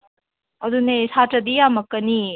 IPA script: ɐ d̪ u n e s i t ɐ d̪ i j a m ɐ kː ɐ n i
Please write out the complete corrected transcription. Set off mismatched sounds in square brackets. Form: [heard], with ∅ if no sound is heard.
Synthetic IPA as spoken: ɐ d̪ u n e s [a] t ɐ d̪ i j a m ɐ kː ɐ n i

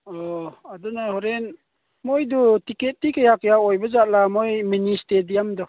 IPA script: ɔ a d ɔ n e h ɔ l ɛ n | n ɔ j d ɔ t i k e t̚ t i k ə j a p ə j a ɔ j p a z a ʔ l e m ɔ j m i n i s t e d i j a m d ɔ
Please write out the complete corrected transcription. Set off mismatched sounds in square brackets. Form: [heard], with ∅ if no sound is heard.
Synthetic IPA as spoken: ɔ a d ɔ n [a] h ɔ [ɾ] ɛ n | [m] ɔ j d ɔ t i k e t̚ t i k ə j a [k] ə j a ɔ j [b] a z a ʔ l [a] m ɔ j m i n i s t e d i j a m d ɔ

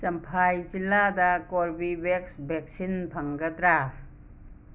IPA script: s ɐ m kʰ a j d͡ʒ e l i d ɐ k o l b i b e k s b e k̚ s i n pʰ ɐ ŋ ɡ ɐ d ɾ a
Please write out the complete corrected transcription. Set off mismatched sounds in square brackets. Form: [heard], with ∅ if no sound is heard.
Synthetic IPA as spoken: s ɐ m [pʰ] a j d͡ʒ [i] l [a] d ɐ k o [ɾ] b i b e k s b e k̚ s i n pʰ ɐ ŋ ɡ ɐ d ɾ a

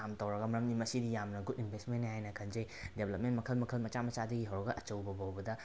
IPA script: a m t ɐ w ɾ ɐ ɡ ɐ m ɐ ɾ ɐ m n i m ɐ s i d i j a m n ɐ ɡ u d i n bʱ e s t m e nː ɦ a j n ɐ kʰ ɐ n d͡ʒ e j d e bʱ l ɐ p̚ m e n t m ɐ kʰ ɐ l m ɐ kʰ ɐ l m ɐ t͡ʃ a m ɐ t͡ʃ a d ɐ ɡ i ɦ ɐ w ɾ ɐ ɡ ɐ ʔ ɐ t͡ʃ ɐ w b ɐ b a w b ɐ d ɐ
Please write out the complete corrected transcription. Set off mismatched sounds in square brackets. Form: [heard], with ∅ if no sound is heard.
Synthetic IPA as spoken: a m t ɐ w ɾ ɐ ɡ ɐ m ɐ ɾ ɐ m n i m ɐ s i d i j a m n ɐ ɡ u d i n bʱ e s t m e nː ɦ a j n ɐ kʰ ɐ n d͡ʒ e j d e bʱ l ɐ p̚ m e n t m ɐ kʰ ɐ l m ɐ kʰ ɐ l m ɐ t͡ʃ a m ɐ t͡ʃ a d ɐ ɡ i ɦ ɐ w ɾ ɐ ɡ ɐ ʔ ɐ t͡ʃ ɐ w b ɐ b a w b ɐ d ɐ

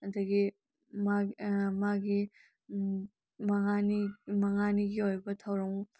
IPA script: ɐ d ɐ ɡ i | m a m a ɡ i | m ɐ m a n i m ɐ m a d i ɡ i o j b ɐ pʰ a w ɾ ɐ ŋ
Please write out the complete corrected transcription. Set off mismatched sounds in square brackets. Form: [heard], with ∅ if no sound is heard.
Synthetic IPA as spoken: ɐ d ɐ ɡ i | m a m a ɡ i | m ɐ [ŋ] a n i m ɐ [ŋ] a [n] i ɡ i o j b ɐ [tʰ] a w ɾ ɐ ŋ

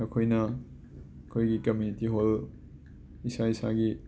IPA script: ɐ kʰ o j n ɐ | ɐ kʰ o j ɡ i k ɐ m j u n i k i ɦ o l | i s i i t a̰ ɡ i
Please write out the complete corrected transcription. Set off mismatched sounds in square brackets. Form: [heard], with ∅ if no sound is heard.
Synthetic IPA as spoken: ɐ kʰ o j n ɐ | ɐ kʰ o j ɡ i k ɐ m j u n i [t] i ɦ o l | i s [a] i [s] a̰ ɡ i

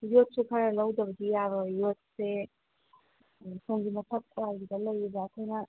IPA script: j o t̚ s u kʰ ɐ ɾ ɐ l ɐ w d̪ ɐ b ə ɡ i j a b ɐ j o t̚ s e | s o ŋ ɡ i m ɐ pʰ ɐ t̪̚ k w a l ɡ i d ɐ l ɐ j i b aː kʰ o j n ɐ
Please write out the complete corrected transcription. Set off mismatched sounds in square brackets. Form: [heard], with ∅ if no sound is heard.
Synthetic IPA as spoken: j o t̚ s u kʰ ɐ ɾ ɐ l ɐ w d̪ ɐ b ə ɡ i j a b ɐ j o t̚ s e | s o ŋ ɡ i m ɐ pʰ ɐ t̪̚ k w a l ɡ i d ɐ l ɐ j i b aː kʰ o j n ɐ

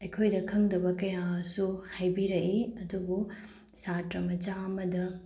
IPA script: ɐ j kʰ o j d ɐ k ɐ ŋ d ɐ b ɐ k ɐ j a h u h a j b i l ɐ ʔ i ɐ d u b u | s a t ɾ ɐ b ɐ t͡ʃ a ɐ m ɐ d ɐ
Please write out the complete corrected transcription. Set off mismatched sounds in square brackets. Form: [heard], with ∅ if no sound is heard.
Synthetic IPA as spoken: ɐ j kʰ o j d ɐ [kʰ] ɐ ŋ d ɐ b ɐ k ɐ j a [s] u h a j b i [ɾ] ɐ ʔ i ɐ d u b u | s a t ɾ ɐ [m] ɐ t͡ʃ a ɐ m ɐ d ɐ

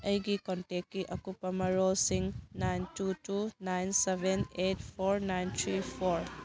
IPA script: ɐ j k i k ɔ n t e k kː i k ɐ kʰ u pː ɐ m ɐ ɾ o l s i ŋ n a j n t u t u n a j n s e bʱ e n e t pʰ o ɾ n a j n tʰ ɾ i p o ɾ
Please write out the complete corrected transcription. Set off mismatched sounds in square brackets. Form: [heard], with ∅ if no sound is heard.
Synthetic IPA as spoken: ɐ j [ɡ] i k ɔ n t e k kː i [ʔ] ɐ [k] u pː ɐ m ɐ ɾ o l s i ŋ n a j n t u t u n a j n s e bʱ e n e t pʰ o ɾ n a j n tʰ ɾ i [pʰ] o ɾ

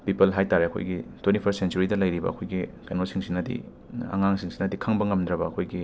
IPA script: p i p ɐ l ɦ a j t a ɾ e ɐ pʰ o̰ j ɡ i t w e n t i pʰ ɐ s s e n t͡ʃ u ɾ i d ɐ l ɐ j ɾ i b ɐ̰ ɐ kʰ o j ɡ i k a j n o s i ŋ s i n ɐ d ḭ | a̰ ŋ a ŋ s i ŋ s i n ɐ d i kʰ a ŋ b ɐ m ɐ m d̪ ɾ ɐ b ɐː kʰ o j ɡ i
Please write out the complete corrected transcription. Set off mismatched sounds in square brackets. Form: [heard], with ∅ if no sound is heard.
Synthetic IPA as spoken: p i p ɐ l ɦ a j t a ɾ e ɐ [kʰ] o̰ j ɡ i t w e n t i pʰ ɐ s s e n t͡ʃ u ɾ i d ɐ l ɐ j ɾ i b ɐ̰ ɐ kʰ o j ɡ i k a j n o s i ŋ s i n ɐ d ḭ | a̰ ŋ a ŋ s i ŋ s i n ɐ d i kʰ a ŋ b ɐ [ŋ] ɐ m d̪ ɾ ɐ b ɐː kʰ o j ɡ i

